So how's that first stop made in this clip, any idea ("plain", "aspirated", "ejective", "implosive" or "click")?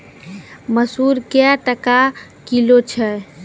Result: plain